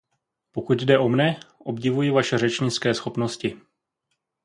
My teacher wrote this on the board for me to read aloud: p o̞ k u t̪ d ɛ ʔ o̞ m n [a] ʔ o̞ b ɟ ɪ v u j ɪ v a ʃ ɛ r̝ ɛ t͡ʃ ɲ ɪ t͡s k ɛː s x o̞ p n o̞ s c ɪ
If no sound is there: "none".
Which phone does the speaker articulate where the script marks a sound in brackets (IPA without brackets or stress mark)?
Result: ɛ